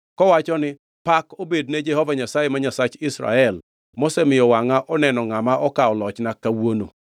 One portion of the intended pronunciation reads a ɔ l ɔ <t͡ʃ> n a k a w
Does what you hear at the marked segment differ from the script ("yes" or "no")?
no